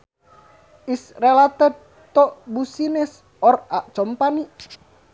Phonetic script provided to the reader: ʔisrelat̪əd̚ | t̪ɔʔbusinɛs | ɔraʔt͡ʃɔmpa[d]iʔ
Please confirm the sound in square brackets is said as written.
no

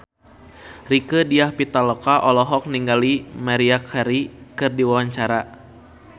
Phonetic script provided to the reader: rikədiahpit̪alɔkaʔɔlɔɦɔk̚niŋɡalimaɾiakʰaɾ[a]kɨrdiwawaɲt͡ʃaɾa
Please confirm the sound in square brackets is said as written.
no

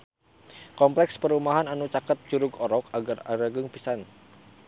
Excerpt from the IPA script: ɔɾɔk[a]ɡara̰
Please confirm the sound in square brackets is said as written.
yes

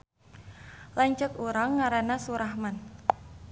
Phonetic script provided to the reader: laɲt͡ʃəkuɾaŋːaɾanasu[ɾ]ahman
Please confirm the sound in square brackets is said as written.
yes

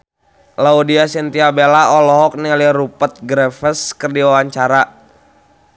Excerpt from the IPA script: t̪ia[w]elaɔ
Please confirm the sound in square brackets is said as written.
no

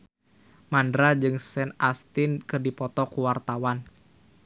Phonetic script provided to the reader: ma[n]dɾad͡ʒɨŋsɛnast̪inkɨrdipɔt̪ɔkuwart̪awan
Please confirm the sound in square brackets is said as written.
yes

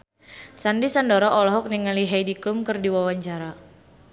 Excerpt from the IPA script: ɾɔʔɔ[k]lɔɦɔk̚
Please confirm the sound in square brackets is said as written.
no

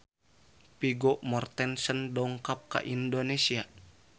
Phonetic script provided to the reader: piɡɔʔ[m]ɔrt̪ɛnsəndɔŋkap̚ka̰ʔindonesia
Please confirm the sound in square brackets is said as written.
yes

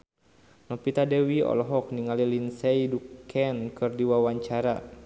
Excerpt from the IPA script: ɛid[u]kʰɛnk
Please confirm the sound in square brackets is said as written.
yes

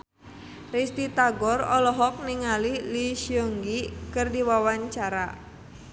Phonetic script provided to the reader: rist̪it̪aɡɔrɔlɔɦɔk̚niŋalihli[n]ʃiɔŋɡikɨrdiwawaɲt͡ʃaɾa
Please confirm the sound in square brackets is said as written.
no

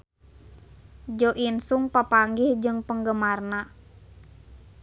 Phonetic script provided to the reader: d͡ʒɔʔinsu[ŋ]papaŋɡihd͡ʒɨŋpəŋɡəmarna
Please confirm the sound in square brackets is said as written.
yes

